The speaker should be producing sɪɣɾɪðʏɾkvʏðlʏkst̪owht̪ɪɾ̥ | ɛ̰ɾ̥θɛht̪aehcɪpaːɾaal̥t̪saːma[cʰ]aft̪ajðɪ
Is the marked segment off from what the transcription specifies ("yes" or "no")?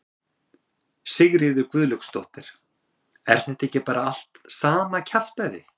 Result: no